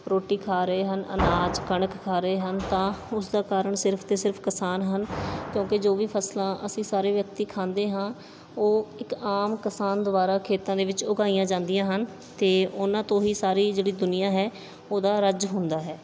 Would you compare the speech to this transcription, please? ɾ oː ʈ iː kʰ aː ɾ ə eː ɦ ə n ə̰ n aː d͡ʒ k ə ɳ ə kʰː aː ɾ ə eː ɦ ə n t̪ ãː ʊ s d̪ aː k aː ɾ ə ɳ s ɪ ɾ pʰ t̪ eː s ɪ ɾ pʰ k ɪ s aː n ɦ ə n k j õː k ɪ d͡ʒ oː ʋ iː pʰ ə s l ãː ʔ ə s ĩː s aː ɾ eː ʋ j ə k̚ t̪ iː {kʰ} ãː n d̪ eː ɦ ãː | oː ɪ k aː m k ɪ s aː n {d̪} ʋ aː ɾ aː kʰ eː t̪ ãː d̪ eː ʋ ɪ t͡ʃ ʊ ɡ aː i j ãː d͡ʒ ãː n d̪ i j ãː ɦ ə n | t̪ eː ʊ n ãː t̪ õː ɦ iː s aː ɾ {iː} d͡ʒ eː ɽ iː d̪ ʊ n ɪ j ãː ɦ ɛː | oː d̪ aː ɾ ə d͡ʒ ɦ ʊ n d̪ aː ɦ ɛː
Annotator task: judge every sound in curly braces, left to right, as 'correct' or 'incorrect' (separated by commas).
correct, correct, correct